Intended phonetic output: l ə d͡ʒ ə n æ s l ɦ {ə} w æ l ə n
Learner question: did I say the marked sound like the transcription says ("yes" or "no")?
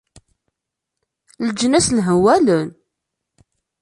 yes